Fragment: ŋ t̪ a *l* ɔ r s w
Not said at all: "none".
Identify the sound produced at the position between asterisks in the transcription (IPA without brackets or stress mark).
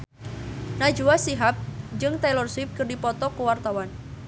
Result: l